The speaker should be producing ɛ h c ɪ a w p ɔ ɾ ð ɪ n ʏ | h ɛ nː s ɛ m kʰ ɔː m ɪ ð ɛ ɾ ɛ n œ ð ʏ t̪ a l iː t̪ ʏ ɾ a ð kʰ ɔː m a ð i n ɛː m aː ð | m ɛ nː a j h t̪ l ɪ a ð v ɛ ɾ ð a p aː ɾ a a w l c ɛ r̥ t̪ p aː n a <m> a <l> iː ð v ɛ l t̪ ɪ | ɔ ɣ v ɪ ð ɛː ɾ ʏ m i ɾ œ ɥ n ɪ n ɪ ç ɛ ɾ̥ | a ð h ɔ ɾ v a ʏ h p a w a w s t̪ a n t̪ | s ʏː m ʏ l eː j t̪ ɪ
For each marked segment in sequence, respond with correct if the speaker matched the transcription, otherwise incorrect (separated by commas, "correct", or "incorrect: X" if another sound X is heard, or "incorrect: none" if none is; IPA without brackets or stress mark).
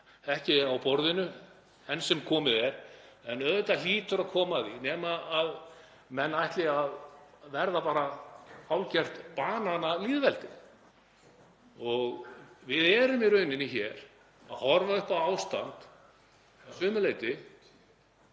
incorrect: n, correct